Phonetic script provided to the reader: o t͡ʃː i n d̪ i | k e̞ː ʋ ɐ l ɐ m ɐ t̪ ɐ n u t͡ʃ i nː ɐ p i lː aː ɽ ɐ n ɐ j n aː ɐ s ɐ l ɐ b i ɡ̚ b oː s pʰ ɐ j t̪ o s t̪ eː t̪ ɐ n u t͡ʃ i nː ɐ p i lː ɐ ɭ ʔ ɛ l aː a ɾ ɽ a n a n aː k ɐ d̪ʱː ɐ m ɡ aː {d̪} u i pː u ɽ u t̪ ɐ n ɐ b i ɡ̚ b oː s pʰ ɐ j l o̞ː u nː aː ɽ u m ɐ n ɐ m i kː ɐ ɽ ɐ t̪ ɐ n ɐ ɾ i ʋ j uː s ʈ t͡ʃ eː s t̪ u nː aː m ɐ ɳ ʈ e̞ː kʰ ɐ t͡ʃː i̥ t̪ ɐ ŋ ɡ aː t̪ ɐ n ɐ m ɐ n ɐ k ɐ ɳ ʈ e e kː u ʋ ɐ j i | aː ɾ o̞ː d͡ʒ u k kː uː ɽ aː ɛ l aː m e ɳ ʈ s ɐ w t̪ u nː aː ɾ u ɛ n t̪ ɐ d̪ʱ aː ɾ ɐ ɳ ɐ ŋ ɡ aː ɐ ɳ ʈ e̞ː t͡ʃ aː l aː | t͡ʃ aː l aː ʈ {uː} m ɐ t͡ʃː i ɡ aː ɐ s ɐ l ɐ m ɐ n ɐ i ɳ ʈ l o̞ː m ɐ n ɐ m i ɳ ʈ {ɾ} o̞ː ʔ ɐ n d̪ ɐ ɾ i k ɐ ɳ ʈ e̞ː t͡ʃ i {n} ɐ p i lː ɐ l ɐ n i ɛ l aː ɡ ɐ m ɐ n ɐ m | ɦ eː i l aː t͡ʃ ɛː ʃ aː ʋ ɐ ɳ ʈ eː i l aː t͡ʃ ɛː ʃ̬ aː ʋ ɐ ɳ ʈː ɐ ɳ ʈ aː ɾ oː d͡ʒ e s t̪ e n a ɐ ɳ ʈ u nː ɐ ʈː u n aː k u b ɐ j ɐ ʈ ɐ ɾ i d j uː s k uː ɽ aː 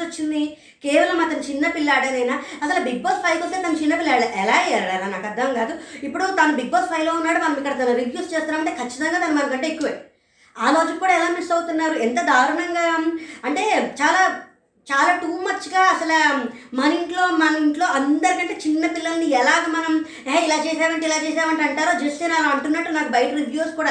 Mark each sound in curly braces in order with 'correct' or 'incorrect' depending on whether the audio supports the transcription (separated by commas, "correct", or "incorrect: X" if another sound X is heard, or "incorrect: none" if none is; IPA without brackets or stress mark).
correct, correct, incorrect: l, incorrect: nː